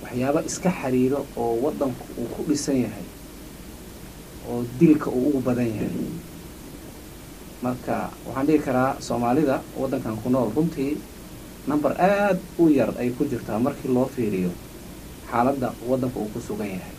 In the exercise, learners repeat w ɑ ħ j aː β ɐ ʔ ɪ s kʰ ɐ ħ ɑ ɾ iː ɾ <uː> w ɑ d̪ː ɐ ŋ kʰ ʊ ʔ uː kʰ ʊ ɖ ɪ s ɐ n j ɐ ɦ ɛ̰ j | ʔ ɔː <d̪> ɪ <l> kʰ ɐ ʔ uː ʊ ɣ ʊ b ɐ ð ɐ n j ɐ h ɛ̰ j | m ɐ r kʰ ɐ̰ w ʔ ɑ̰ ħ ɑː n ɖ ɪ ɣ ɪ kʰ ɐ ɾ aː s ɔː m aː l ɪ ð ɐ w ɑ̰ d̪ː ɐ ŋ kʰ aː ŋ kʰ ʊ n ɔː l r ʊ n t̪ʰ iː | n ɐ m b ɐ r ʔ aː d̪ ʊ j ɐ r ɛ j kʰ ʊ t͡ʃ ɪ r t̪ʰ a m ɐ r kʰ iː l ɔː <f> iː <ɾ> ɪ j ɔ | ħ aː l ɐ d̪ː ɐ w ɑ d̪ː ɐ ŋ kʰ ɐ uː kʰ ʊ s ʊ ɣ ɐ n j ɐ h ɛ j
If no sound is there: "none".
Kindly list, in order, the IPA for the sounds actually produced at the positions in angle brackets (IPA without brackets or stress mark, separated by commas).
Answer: ɔː, d̪, l, f, ɾ